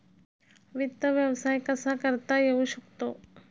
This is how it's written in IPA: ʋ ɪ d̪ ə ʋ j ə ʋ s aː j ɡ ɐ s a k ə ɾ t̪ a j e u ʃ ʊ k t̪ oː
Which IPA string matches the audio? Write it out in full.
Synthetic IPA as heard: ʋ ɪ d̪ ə ʋ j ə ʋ s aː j k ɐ s a k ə ɾ t̪ a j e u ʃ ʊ k t̪ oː